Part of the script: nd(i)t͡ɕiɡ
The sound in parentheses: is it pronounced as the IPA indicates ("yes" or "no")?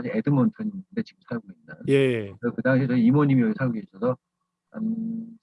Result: no